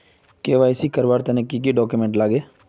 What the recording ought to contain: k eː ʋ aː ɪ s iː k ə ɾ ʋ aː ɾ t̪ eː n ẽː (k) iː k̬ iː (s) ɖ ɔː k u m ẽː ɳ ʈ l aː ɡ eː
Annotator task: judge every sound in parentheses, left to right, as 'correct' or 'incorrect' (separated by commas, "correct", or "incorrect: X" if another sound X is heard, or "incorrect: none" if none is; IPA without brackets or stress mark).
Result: correct, incorrect: none